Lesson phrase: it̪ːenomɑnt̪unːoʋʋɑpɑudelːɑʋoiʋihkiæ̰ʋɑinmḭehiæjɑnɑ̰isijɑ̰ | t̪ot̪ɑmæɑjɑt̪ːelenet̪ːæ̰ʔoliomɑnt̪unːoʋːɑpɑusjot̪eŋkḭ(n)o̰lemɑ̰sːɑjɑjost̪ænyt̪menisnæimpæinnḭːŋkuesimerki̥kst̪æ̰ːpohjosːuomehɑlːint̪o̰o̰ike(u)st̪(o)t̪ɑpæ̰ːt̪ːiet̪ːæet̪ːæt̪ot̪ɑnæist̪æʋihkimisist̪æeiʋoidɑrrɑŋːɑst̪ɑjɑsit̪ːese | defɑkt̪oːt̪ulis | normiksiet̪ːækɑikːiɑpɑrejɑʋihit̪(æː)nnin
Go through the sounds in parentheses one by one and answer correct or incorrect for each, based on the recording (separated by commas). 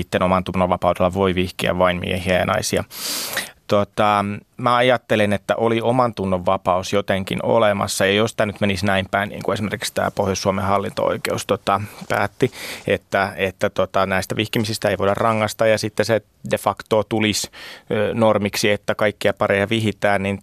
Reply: correct, correct, correct, correct